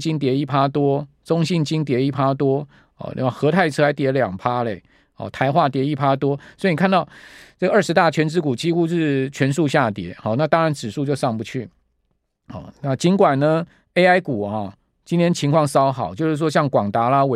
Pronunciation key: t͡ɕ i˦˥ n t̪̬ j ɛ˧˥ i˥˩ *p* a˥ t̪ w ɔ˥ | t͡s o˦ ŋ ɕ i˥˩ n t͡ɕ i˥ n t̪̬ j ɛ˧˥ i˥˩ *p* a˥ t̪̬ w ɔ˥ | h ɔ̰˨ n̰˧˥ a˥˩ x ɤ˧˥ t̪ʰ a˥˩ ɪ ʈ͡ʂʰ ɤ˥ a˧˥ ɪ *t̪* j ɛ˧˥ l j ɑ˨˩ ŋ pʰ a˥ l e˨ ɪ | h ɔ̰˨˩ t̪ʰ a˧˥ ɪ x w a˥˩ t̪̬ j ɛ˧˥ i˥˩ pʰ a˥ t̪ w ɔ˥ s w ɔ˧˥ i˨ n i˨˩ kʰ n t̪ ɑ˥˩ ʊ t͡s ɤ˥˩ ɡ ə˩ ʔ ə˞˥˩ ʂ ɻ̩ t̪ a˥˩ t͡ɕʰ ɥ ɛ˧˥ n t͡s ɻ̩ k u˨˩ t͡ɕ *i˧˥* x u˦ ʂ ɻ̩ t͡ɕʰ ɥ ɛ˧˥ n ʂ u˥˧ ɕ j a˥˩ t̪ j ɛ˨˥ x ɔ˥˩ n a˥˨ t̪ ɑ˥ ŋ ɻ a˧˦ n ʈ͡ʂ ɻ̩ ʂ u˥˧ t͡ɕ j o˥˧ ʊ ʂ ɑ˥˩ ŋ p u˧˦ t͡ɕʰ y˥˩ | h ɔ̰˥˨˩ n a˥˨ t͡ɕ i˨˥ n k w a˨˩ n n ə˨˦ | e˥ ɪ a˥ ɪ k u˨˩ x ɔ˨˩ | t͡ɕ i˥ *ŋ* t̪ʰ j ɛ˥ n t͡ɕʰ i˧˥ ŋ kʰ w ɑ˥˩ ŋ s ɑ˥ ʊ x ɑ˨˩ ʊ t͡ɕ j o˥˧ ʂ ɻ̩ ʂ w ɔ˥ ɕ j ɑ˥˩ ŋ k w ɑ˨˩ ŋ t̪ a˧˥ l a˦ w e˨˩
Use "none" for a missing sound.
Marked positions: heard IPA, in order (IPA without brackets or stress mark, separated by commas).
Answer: pʰ, pʰ, t̪, i˥, n